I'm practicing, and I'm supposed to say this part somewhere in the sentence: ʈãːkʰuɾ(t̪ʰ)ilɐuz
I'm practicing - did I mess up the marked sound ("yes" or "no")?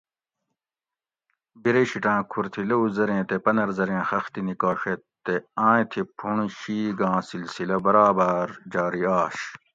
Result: no